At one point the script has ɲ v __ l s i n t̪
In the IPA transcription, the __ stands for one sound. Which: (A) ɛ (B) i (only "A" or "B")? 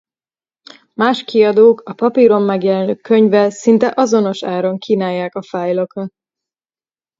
A